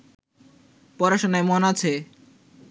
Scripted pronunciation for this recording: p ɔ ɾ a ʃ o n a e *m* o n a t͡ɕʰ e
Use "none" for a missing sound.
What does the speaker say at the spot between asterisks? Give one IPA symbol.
m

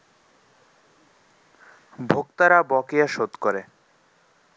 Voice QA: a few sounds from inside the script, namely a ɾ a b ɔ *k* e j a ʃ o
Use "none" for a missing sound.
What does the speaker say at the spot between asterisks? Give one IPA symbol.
k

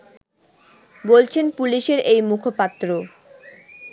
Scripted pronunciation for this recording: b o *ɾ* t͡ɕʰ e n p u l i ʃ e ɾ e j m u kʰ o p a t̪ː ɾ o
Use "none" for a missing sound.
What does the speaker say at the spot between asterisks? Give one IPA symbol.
l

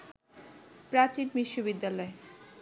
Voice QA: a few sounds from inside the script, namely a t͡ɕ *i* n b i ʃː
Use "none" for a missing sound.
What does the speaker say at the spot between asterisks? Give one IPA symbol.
i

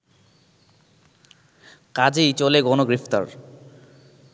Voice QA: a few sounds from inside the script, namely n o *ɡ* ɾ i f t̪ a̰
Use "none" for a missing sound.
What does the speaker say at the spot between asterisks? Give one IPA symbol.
ɡ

